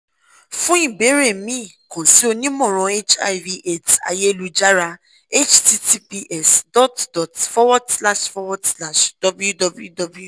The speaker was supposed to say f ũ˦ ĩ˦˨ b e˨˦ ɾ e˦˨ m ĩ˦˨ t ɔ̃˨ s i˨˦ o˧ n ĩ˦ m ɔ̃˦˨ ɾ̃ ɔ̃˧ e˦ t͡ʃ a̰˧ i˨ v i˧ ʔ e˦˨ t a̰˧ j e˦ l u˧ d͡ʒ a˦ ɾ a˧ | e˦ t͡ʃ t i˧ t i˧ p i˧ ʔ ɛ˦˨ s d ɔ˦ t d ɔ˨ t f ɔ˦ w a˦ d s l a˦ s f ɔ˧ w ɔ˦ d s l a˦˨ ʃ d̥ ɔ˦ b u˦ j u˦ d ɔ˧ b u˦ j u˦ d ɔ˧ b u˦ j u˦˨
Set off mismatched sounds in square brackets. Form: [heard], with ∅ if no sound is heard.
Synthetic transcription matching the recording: f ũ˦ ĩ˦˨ b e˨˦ ɾ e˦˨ m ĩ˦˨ [k] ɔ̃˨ s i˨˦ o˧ n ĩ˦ m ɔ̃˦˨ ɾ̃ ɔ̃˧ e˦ t͡ʃ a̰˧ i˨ v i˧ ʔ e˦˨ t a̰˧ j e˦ l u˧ d͡ʒ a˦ ɾ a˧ | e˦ t͡ʃ t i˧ t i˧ p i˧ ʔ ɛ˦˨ s d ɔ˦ t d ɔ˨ t f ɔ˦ w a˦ d s l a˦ [ʃ] f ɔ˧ w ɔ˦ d s l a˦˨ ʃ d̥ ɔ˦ b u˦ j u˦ d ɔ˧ b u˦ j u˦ d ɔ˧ b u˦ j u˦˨